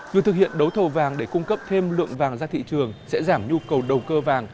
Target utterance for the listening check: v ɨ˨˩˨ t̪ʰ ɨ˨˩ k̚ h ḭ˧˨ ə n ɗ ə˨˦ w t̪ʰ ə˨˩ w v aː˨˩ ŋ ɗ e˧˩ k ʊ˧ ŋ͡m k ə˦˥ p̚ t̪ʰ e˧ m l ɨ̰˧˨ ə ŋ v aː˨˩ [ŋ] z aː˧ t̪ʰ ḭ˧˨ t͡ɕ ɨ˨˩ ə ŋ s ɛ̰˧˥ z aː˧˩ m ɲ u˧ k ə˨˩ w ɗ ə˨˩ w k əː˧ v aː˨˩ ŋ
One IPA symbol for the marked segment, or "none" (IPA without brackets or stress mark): ŋ